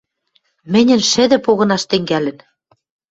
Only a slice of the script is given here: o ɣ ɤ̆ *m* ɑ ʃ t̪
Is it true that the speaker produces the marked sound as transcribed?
no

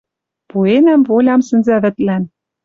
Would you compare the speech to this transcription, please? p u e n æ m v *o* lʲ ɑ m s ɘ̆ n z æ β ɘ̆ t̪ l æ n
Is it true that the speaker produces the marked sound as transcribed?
yes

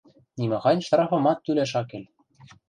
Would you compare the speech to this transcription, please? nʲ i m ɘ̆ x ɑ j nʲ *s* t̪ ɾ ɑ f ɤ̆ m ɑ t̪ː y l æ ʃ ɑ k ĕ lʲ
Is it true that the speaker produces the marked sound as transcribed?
no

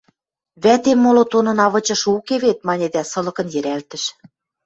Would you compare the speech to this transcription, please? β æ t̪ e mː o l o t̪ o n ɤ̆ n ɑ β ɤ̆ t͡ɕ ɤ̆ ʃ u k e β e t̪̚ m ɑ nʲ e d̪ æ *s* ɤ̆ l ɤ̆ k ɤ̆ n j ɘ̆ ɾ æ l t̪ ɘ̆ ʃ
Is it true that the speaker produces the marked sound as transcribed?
yes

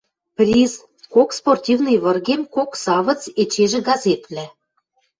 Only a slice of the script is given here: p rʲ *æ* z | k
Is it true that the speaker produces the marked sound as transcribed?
no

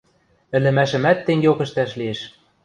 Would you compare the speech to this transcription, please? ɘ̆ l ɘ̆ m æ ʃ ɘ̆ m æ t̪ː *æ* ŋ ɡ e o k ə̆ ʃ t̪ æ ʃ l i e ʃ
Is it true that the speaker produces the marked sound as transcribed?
no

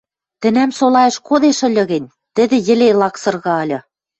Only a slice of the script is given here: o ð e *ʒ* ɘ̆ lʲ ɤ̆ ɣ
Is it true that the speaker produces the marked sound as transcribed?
no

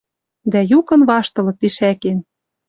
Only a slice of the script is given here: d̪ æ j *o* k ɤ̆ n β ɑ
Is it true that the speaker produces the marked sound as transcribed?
no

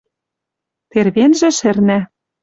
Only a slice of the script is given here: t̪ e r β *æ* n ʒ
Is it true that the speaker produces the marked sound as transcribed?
no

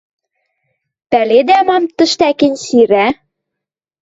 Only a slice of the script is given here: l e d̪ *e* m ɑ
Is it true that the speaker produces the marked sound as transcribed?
no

